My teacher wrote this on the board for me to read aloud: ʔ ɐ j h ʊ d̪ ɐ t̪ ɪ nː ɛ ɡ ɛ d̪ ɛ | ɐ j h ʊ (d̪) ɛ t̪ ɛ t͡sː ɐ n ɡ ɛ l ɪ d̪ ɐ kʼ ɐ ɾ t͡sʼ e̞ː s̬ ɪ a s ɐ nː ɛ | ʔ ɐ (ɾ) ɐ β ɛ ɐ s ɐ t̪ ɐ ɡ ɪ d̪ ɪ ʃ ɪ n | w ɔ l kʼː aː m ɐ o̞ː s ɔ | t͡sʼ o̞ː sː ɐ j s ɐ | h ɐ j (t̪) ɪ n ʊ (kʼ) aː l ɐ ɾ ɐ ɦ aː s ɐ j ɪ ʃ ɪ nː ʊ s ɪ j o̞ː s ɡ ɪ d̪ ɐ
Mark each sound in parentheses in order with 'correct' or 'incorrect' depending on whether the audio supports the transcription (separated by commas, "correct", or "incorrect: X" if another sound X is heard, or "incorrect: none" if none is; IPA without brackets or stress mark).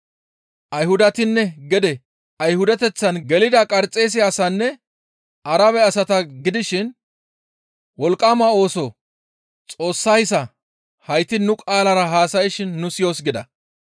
correct, correct, correct, correct